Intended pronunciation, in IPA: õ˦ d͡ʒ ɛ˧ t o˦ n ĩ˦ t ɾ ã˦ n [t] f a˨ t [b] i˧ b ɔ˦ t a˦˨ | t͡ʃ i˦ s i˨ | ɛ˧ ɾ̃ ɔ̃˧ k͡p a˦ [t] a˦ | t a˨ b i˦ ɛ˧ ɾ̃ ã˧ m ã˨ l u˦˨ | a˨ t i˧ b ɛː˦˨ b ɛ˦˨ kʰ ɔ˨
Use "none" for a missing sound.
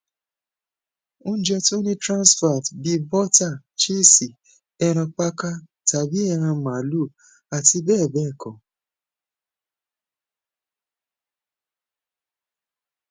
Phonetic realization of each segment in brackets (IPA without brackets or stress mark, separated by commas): s, b, k